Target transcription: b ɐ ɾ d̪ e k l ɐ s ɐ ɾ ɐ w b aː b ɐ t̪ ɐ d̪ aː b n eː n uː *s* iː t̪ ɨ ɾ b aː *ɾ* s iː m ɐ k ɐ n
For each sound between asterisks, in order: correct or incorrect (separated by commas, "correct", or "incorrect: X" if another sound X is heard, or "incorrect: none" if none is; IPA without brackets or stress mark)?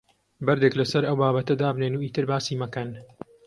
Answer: incorrect: none, incorrect: none